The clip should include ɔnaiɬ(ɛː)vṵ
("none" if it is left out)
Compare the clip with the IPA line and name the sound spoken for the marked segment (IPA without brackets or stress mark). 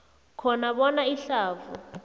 aː